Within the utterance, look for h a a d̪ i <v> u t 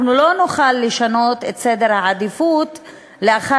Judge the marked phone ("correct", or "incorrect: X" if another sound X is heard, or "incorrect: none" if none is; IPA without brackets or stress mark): incorrect: f